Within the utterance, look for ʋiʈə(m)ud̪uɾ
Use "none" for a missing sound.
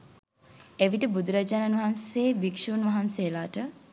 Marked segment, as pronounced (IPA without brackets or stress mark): b